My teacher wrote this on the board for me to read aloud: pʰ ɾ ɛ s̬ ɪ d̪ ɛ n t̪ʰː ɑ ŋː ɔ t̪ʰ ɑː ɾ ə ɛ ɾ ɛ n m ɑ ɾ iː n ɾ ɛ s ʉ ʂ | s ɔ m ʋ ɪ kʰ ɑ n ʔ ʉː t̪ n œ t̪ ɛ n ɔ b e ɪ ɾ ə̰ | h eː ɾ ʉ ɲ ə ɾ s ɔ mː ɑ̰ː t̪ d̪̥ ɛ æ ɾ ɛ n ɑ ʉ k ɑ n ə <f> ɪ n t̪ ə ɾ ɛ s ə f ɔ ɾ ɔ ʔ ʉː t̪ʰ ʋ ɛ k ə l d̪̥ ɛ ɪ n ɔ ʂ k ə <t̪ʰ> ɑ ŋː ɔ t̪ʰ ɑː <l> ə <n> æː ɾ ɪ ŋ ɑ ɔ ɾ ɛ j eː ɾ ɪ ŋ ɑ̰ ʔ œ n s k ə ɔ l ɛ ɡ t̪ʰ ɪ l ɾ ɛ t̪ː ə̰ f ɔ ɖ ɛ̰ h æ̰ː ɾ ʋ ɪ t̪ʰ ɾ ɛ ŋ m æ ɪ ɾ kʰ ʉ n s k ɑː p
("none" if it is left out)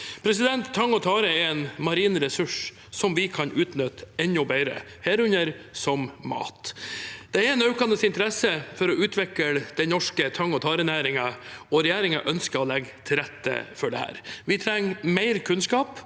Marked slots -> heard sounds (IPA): s, t̪ʰ, ɾ, n

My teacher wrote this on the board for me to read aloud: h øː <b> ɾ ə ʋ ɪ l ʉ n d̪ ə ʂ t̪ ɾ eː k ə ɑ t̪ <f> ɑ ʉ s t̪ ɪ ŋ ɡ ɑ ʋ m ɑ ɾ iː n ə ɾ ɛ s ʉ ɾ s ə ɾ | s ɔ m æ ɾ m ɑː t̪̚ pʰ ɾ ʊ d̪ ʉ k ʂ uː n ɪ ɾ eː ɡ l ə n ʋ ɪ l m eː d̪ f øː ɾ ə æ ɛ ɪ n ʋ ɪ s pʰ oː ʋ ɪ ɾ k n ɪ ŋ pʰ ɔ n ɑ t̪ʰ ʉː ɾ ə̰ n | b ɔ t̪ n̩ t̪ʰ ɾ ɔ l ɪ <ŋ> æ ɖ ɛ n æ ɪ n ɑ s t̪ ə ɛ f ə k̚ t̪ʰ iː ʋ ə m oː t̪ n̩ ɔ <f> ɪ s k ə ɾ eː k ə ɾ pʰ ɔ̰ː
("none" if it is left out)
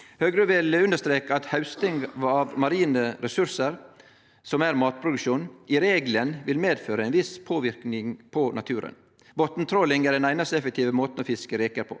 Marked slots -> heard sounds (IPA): ɡ, h, ŋ, f

